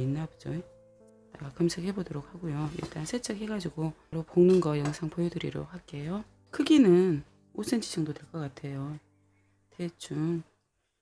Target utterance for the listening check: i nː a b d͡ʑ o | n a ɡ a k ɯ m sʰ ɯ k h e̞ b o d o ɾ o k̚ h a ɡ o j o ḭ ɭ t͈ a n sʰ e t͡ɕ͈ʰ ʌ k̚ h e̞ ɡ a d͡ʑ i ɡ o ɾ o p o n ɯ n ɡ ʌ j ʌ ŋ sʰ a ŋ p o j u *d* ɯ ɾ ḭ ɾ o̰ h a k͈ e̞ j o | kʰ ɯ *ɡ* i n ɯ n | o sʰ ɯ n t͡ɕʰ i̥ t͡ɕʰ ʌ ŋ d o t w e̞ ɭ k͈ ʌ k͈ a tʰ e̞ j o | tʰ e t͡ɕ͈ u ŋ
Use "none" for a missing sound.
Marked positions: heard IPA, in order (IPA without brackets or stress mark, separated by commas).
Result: d, ɡ